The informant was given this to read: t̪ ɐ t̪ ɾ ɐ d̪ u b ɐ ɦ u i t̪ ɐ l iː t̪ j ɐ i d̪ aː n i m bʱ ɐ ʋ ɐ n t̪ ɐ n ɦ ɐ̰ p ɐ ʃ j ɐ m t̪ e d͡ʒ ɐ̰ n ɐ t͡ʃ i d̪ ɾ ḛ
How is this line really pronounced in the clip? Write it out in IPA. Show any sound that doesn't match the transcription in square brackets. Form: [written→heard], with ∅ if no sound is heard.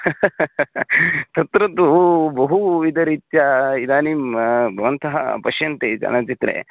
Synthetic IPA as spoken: t̪ ɐ t̪ ɾ ɐ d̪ u b ɐ ɦ u i [t̪→d̪] ɐ [l→ɾ] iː t̪ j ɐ i d̪ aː n i m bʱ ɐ ʋ ɐ n t̪ ɐ [n→∅] ɦ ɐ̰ p ɐ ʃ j ɐ [m→n] t̪ e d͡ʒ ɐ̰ n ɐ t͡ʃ i [d̪→t̪] ɾ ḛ

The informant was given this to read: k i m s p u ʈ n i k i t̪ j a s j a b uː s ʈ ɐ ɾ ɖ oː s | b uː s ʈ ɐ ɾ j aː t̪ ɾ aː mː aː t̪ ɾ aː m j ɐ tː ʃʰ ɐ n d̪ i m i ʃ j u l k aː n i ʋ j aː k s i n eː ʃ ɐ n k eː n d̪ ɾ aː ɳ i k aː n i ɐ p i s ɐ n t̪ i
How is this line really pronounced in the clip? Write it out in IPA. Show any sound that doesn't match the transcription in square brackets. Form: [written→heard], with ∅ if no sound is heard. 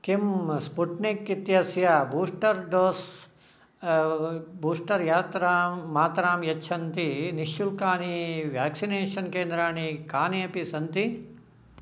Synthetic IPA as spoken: k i m s p u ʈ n i k i t̪ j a s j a b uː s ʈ ɐ ɾ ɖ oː s | b uː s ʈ ɐ ɾ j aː t̪ ɾ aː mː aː t̪ ɾ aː m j ɐ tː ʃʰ ɐ n [d̪→t̪] i [m→n] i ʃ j u l k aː n i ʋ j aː k s i n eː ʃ ɐ n k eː n d̪ ɾ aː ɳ i k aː n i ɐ p i s ɐ n t̪ i

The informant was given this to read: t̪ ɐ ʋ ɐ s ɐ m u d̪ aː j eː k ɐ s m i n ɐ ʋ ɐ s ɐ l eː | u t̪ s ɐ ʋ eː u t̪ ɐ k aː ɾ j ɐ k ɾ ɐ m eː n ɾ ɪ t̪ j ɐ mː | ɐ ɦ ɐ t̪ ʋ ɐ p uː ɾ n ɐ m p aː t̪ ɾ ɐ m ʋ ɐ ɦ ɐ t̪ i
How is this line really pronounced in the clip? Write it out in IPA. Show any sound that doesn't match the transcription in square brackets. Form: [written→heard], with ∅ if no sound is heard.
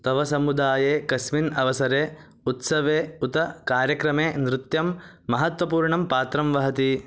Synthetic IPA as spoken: t̪ ɐ ʋ ɐ s ɐ m u d̪ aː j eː k ɐ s m i n ɐ ʋ ɐ s ɐ [l→ɾ] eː | u t̪ s ɐ ʋ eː u t̪ ɐ k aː ɾ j ɐ k ɾ ɐ m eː n ɾ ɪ t̪ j ɐ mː | ɐ ɦ ɐ t̪ ʋ ɐ p uː ɾ [n→ɳ] ɐ m p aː t̪ ɾ ɐ m ʋ ɐ ɦ ɐ t̪ i

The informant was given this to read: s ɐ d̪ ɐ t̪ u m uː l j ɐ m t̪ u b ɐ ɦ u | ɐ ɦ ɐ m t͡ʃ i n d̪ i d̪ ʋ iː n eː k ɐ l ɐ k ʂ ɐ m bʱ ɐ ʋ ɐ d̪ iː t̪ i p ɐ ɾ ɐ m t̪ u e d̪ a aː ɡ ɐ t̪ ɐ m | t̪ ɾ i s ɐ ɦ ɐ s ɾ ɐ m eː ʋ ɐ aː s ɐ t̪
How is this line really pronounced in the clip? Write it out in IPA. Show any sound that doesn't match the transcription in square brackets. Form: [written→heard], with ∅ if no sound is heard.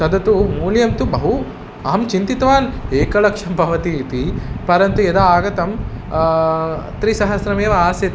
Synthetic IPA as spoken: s ɐ d̪ ɐ t̪ u m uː l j ɐ m t̪ u b ɐ ɦ u | ɐ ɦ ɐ m t͡ʃ i n [d̪→t̪] i [d̪→t̪] ʋ [iː→aː] n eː k ɐ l ɐ k ʂ ɐ m bʱ ɐ ʋ ɐ [d̪→t̪] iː t̪ i p ɐ ɾ ɐ [m→n] t̪ u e d̪ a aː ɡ ɐ t̪ ɐ m | t̪ ɾ i s ɐ ɦ ɐ s ɾ ɐ m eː ʋ ɐ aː s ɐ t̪

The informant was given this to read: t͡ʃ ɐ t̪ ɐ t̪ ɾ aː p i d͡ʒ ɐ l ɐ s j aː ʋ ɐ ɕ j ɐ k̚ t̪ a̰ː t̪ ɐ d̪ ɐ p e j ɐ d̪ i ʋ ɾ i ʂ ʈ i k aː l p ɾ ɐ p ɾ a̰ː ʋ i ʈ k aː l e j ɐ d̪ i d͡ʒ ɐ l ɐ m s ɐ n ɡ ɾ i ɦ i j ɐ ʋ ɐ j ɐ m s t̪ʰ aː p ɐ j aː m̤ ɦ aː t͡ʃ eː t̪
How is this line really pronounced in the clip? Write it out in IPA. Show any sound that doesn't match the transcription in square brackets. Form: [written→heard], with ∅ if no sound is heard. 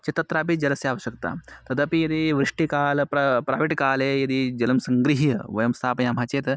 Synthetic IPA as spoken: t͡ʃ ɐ t̪ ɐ t̪ ɾ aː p i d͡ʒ ɐ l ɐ s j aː ʋ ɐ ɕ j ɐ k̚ t̪ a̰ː t̪ ɐ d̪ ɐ p [e→i] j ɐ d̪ i ʋ ɾ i ʂ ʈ i k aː l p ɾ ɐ p ɾ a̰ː ʋ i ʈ k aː l e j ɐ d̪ i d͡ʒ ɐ l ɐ m s ɐ [n→ŋ] ɡ ɾ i ɦ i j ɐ ʋ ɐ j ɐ m s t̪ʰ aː p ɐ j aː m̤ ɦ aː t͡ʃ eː t̪

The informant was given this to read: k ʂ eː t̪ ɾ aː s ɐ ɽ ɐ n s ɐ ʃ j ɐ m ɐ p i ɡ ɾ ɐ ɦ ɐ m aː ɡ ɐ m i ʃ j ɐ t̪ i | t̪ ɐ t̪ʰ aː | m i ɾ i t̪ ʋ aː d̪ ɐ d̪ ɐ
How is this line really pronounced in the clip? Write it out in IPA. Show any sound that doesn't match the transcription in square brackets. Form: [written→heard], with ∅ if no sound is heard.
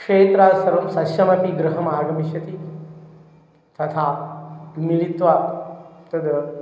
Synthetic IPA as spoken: k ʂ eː t̪ ɾ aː s ɐ [ɽ→ɾ] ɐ [n→m] s ɐ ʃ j ɐ m ɐ p i ɡ ɾ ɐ ɦ ɐ m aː ɡ ɐ m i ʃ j ɐ t̪ i | t̪ ɐ t̪ʰ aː | m i [ɾ→l] i t̪ ʋ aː [d̪→t̪] ɐ d̪ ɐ

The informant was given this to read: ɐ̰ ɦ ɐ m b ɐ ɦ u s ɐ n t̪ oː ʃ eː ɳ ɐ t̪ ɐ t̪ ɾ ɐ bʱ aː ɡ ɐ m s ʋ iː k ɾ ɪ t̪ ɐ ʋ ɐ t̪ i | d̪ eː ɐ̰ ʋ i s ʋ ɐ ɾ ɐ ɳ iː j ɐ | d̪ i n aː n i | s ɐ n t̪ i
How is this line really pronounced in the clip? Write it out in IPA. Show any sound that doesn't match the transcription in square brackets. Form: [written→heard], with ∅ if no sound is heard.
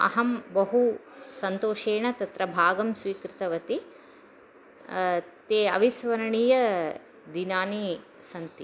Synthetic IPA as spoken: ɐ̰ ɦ ɐ m b ɐ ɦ u s ɐ n t̪ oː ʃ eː ɳ ɐ t̪ ɐ t̪ ɾ ɐ bʱ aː ɡ ɐ m s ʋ iː k ɾ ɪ t̪ ɐ ʋ ɐ t̪ i | [d̪→t̪] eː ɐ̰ ʋ i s ʋ ɐ ɾ ɐ ɳ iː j ɐ | d̪ i n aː n i | s ɐ n t̪ i

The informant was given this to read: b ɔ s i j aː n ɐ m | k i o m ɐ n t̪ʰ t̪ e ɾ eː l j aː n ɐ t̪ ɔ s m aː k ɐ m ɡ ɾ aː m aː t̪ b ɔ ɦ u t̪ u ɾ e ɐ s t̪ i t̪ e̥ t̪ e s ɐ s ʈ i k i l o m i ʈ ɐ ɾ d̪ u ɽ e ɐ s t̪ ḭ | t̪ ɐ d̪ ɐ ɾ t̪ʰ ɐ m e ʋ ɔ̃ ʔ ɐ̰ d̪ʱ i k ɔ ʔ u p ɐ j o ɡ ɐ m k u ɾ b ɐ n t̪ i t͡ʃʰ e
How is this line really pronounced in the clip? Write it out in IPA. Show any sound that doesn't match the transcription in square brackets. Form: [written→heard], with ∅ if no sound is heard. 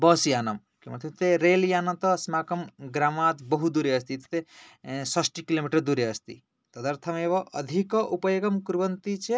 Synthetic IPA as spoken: b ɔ s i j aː n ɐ m | k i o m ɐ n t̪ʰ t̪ e ɾ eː l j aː n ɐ t̪ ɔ s m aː k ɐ m ɡ ɾ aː m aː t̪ b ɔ ɦ u [t̪→d̪] u ɾ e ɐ s t̪ i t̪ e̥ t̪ e s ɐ s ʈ i k i l o m i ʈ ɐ ɾ d̪ u [ɽ→ɾ] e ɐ s t̪ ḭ | t̪ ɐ d̪ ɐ ɾ t̪ʰ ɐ m e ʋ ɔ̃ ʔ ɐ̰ d̪ʱ i k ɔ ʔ u p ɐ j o ɡ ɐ m k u ɾ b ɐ n t̪ i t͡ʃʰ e

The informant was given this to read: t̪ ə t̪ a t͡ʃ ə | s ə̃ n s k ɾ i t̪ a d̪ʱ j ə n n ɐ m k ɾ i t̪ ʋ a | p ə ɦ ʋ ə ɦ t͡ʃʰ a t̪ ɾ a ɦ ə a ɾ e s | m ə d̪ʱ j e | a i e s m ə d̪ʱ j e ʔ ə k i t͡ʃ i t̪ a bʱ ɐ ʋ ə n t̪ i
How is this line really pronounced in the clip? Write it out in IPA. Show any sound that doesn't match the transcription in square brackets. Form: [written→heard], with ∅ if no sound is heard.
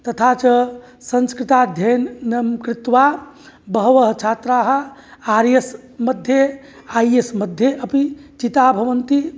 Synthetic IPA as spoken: t̪ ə [t̪→t̪ʰ] a t͡ʃ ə | s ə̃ n s k ɾ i t̪ a d̪ʱ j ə n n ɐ m k ɾ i t̪ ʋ a | [p→b] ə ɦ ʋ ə ɦ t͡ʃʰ a t̪ ɾ a ɦ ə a ɾ e s | m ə d̪ʱ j e | a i e s m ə d̪ʱ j e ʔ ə [k→p] i t͡ʃ i t̪ a bʱ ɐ ʋ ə n t̪ i

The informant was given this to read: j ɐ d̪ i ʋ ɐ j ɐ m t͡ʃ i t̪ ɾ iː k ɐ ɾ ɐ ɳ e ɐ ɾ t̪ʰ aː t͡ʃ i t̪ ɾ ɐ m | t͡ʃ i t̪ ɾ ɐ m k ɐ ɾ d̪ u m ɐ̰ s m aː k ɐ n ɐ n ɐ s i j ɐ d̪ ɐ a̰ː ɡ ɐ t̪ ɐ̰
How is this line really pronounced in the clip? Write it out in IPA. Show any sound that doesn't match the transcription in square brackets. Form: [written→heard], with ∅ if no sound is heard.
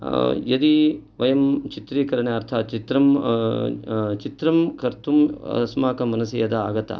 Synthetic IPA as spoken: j ɐ d̪ i ʋ ɐ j ɐ m t͡ʃ i t̪ ɾ iː k ɐ ɾ ɐ ɳ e ɐ ɾ t̪ʰ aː t͡ʃ i t̪ ɾ ɐ m | t͡ʃ i t̪ ɾ ɐ m k ɐ ɾ [d̪→t̪] u m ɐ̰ s m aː k ɐ [n→m] ɐ n ɐ s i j ɐ d̪ ɐ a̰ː ɡ ɐ t̪ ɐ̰

